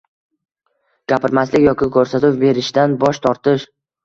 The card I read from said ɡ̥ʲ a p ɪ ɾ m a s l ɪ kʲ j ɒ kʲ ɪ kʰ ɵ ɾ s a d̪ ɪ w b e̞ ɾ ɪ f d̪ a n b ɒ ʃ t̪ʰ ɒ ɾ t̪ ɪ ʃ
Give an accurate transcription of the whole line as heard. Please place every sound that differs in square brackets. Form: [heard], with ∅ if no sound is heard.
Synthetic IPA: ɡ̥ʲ a p ɪ ɾ m a s l ɪ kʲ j ɒ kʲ ɪ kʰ ɵ ɾ s a [t̪] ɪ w b e̞ ɾ ɪ [ʃ] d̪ a n b ɒ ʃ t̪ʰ ɒ ɾ t̪ ɪ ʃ